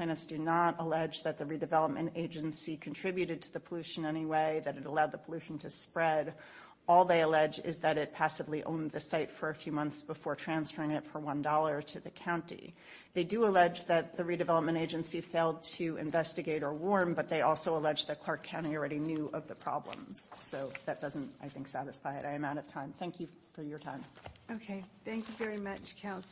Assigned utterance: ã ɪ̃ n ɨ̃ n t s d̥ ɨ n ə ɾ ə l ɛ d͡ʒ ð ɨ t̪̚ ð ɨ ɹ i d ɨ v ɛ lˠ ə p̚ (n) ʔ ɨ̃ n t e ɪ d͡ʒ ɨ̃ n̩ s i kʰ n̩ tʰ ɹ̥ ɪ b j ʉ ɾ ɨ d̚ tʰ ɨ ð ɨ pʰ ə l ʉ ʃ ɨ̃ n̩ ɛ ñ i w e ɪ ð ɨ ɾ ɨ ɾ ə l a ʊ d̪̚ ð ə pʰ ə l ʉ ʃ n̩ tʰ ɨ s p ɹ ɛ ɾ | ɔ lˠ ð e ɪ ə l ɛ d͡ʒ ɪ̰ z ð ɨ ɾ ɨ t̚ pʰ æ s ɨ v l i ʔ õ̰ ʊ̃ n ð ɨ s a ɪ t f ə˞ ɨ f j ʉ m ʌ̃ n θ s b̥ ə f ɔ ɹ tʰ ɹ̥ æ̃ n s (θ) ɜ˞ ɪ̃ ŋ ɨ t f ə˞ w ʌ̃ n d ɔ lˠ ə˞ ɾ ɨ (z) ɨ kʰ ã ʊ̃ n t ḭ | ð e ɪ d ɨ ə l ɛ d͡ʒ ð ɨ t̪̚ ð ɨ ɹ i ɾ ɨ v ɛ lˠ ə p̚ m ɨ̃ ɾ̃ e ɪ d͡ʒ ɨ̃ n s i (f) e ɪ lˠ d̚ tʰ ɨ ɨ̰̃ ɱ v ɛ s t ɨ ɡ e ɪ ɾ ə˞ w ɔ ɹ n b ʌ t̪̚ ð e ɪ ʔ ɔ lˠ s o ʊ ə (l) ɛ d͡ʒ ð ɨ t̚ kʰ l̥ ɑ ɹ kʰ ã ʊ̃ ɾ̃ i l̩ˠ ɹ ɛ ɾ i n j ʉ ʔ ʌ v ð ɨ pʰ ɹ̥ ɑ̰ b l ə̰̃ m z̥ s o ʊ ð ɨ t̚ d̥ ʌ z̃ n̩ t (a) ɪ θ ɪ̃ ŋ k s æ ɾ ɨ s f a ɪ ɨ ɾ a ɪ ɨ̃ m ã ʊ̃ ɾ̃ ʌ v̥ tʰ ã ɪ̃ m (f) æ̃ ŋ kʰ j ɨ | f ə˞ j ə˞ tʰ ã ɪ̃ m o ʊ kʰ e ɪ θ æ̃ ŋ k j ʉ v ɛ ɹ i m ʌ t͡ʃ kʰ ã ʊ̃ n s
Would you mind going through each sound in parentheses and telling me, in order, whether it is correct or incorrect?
incorrect: m, incorrect: f, incorrect: ð, correct, correct, correct, incorrect: θ

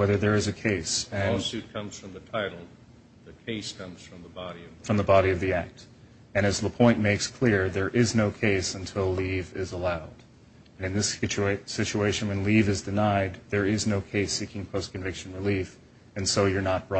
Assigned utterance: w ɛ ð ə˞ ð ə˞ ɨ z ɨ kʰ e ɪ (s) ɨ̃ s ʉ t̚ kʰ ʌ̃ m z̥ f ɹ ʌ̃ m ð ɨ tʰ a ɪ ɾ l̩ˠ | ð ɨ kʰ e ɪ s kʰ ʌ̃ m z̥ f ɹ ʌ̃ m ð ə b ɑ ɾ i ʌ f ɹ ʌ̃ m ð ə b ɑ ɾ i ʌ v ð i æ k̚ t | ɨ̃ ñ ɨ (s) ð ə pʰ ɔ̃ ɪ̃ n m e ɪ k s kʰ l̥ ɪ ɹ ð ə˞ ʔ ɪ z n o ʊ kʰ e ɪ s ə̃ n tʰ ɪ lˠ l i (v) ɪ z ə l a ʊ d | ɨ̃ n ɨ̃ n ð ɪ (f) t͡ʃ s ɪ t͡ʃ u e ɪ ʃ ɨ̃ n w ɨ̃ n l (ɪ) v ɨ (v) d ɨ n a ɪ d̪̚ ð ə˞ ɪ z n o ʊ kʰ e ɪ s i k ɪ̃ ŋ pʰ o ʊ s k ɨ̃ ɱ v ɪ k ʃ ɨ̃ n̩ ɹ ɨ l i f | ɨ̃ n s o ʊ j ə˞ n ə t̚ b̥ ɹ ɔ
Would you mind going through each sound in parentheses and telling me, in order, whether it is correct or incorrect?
correct, incorrect: z, correct, incorrect: s, incorrect: i, incorrect: z

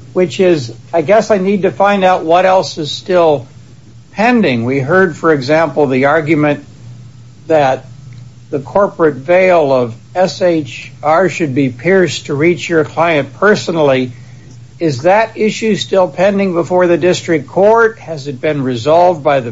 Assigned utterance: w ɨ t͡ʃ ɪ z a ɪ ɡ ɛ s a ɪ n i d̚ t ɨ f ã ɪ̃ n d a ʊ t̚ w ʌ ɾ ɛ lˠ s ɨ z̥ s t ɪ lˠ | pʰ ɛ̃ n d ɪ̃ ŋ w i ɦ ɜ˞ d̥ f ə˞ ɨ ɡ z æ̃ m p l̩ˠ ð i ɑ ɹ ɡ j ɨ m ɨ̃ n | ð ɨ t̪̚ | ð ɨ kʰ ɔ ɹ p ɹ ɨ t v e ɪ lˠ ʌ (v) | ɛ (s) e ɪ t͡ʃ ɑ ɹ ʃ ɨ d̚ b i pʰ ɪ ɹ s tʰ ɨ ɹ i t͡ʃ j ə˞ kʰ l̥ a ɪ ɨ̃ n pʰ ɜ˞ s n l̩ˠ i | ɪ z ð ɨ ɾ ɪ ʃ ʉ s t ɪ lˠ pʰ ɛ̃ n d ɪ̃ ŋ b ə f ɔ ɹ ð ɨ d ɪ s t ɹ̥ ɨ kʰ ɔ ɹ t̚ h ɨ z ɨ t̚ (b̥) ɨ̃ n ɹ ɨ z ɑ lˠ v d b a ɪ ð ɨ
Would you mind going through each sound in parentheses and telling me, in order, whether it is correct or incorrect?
correct, correct, correct

